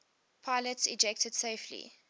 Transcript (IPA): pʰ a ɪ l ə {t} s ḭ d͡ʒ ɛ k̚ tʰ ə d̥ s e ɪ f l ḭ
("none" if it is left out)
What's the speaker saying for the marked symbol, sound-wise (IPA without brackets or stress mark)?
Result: t